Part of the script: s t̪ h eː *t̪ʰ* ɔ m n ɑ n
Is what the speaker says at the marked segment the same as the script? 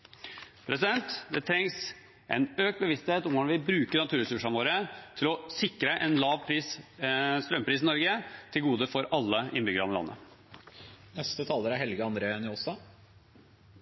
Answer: no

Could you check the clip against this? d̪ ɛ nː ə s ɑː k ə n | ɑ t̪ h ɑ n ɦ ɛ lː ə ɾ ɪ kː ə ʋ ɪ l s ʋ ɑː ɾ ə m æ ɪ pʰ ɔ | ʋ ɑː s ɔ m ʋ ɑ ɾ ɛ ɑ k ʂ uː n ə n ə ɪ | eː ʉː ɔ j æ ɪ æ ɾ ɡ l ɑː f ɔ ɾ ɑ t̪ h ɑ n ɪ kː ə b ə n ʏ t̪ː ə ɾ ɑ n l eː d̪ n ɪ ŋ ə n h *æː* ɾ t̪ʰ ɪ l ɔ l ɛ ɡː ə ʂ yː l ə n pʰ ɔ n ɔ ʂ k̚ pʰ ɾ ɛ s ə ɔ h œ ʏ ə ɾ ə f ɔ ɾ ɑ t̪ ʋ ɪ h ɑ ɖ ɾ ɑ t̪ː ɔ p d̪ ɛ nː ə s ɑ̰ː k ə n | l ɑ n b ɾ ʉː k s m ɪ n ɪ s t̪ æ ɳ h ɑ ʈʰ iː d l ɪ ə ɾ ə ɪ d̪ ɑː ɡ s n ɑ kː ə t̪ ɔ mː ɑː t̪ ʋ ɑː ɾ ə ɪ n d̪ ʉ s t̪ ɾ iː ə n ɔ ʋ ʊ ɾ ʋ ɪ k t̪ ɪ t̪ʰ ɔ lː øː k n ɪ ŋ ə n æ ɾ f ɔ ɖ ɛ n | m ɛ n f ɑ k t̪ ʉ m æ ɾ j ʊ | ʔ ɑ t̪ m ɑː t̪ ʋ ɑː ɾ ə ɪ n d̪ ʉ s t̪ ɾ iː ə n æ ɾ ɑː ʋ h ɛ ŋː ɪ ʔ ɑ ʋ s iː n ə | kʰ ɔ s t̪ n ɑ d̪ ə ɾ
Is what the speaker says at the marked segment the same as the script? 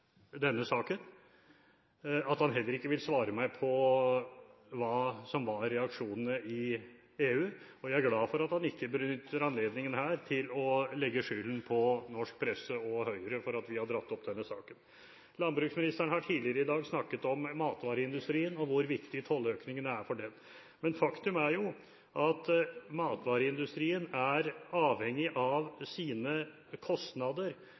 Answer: yes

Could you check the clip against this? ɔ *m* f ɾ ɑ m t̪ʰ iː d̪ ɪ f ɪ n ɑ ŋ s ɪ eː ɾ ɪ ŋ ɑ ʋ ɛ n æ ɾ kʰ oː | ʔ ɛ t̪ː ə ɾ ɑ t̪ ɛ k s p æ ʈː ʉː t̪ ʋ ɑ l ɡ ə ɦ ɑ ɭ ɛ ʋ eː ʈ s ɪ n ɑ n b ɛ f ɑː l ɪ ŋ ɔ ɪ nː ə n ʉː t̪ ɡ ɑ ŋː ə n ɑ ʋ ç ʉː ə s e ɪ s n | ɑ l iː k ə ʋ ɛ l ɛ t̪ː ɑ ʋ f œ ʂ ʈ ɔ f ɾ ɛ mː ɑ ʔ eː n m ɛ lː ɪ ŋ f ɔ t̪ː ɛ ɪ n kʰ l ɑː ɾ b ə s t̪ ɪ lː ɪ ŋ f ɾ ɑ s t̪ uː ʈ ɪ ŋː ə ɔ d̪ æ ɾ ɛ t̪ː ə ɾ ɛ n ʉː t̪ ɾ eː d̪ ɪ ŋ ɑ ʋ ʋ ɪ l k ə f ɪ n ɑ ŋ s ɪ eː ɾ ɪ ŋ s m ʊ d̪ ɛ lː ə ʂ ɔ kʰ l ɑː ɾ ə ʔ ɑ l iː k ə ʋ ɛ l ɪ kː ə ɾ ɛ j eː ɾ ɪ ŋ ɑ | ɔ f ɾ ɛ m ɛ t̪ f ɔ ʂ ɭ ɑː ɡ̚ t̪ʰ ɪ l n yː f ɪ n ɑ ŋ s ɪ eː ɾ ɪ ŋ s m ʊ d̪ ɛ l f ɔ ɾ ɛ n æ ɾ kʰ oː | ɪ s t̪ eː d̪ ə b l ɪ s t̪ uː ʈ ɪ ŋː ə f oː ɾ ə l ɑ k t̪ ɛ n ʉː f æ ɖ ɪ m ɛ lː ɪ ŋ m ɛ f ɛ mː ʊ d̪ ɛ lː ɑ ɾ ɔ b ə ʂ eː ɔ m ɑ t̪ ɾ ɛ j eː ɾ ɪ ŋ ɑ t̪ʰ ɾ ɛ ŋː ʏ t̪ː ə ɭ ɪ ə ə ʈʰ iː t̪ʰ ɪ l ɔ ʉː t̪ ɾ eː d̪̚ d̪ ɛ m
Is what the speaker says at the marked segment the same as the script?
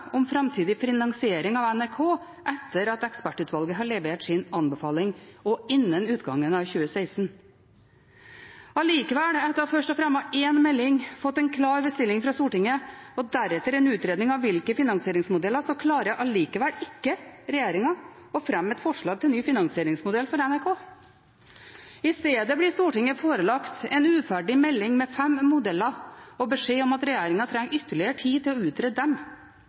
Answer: yes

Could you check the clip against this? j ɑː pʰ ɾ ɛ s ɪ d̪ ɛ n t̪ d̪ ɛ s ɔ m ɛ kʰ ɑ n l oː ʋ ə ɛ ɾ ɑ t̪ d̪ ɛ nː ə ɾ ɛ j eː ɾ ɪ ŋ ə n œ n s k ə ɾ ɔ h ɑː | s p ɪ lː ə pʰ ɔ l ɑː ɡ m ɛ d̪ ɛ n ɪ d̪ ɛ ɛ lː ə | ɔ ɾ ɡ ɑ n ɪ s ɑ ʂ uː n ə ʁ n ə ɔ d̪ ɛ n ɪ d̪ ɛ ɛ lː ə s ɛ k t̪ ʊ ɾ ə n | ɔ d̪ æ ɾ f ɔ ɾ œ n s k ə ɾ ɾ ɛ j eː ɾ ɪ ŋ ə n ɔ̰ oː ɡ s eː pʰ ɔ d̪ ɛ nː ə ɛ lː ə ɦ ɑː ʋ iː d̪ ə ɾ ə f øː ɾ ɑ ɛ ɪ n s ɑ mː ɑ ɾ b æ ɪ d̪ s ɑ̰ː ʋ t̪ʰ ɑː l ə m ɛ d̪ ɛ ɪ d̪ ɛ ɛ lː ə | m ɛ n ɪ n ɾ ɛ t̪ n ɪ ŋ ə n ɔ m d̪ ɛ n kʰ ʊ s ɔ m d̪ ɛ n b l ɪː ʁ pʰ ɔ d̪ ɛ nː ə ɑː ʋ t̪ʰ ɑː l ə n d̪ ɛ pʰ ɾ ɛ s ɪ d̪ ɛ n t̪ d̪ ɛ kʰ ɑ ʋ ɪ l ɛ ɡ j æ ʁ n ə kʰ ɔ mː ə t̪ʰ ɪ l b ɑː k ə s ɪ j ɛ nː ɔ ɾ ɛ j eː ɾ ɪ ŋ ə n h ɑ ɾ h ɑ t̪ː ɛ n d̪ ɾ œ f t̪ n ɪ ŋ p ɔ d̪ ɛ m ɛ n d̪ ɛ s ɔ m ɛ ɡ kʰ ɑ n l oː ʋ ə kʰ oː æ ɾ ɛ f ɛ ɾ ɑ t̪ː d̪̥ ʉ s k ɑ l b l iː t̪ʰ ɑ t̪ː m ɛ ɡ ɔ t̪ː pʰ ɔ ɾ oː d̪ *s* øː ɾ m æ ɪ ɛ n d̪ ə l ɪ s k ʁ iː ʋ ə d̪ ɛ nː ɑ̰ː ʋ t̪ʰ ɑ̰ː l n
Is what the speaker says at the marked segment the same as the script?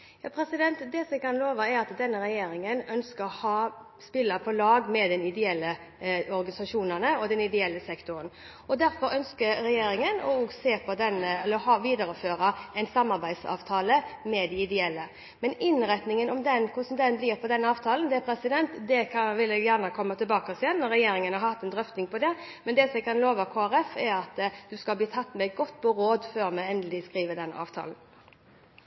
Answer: no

